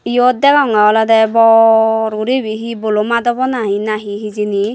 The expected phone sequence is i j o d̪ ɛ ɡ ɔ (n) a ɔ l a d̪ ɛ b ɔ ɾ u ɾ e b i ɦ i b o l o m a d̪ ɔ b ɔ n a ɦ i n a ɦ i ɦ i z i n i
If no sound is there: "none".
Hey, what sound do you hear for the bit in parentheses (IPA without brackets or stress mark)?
ŋ